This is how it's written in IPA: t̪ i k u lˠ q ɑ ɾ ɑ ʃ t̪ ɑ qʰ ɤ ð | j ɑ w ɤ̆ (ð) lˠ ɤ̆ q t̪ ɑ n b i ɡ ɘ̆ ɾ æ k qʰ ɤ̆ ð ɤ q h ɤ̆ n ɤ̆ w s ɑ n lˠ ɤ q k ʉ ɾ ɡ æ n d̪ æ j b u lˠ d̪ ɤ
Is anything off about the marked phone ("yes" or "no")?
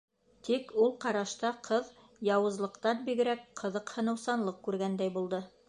yes